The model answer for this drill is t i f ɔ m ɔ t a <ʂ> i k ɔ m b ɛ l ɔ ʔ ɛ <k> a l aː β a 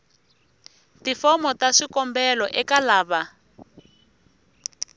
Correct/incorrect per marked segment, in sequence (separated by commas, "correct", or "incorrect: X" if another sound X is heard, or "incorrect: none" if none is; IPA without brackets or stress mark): correct, correct